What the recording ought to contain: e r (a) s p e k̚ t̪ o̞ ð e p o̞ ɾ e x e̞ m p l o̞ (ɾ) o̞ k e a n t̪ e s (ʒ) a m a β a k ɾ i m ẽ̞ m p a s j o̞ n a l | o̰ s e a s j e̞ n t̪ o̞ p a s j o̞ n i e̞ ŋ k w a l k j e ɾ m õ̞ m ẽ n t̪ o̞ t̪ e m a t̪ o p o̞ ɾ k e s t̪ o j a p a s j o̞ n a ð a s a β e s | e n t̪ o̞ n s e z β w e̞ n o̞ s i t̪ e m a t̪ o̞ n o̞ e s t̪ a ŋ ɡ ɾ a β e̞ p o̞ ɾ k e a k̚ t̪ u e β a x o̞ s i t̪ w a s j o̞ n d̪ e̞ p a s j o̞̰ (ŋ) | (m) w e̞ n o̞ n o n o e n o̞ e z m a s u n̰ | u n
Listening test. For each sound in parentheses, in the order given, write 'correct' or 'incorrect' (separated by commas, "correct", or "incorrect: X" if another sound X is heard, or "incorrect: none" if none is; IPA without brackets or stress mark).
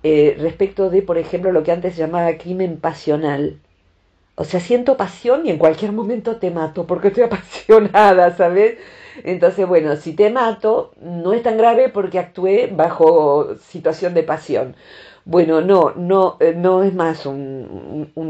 incorrect: e, incorrect: l, correct, incorrect: n, incorrect: b